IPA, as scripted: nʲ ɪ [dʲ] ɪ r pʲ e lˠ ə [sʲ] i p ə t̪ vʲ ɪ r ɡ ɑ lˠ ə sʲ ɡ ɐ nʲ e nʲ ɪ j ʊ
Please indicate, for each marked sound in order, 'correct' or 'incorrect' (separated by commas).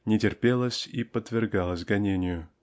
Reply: incorrect, correct